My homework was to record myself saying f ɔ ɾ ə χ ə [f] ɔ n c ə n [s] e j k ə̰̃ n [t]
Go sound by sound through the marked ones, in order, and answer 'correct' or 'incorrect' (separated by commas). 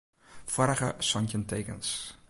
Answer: incorrect, incorrect, incorrect